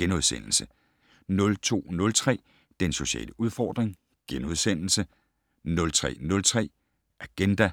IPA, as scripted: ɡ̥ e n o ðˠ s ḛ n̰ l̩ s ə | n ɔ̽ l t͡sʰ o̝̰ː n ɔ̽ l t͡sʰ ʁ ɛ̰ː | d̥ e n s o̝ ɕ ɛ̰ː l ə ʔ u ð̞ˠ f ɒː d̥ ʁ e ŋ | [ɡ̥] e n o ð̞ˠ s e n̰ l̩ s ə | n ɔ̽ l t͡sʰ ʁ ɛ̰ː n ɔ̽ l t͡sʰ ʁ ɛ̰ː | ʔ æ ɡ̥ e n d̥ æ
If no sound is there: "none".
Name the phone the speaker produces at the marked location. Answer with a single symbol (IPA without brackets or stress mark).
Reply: ɡ̥